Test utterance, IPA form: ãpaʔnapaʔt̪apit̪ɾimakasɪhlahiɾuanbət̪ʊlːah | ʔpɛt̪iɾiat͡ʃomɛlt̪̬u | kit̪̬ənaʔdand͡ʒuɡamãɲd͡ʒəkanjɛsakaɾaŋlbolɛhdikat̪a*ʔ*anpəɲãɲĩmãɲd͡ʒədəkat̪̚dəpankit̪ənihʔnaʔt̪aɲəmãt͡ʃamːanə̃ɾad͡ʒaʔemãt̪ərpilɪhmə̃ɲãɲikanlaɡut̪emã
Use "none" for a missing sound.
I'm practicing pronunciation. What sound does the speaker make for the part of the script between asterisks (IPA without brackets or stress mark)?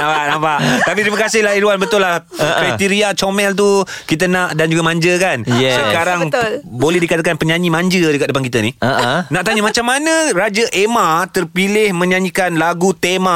k